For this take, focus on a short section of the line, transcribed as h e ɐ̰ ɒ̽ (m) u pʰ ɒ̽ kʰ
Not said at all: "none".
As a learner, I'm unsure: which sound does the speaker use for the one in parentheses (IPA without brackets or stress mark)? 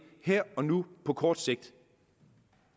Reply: n